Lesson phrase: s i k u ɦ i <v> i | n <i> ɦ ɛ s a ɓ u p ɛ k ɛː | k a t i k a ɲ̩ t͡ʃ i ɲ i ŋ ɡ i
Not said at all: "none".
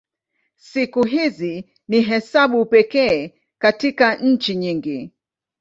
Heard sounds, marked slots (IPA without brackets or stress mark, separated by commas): z, i